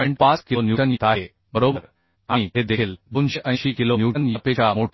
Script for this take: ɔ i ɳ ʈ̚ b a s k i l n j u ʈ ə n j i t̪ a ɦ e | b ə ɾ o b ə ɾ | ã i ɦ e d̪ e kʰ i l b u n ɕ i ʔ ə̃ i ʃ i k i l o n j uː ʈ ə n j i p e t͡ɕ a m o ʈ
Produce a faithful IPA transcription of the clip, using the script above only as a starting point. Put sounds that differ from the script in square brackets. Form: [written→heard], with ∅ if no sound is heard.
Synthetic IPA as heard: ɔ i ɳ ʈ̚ [b→p] a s k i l n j u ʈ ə n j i t̪ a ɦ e | b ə ɾ o b ə ɾ | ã i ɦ e d̪ e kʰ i l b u n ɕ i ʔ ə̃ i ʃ i k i l o n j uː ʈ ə n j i p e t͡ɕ a m o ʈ